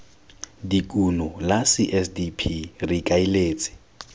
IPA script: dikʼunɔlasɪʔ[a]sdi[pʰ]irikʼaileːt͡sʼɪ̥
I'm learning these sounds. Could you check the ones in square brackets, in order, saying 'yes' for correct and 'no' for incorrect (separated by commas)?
no, yes